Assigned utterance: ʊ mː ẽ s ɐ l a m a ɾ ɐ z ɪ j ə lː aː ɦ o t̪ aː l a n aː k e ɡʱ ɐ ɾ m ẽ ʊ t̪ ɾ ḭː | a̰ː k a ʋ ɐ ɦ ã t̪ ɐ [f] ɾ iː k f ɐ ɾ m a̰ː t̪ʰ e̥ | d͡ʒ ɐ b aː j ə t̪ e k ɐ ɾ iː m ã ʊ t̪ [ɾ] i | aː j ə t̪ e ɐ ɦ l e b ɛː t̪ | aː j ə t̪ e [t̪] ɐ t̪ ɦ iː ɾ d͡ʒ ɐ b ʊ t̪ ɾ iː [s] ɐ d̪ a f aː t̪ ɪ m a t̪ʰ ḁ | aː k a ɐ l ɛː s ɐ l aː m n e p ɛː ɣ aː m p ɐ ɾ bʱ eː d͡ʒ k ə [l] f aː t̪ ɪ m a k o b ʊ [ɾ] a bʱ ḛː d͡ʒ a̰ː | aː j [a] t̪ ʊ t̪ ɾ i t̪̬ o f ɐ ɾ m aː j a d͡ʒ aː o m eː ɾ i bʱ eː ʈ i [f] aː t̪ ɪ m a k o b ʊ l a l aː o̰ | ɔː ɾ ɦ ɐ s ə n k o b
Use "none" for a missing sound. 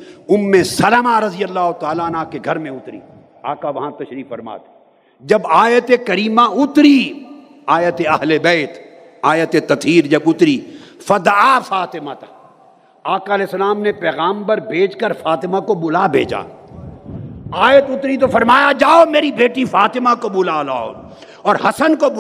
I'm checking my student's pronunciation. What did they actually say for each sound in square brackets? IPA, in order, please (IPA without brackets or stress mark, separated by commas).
ʃ, ɾ, t̪, f, ɾ, l, ə, f